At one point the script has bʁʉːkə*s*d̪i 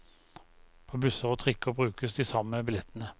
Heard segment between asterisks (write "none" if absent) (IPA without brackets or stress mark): s